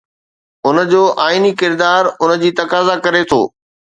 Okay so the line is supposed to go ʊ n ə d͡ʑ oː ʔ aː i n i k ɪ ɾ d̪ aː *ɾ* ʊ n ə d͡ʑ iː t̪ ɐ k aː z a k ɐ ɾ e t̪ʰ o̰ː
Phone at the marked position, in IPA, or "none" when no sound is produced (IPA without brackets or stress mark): ɾ